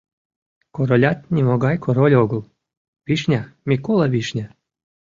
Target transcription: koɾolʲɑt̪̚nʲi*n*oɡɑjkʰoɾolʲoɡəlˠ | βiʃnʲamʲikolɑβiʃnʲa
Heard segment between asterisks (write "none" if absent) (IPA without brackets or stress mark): m